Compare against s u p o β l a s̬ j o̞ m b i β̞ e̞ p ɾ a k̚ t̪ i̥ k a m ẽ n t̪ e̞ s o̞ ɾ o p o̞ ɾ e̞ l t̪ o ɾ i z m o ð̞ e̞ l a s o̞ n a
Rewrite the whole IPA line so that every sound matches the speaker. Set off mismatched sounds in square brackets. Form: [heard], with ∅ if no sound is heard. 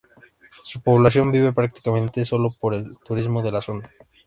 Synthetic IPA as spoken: s u p o β l a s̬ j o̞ m b i β̞ e̞ p ɾ a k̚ t̪ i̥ k a m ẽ n t̪ e̞ s o̞ [l] o p o̞ ɾ e̞ l t̪ [u] ɾ i z m o ð̞ e̞ l a s o̞ n a